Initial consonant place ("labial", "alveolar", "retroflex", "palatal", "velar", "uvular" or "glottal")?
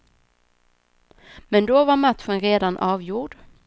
labial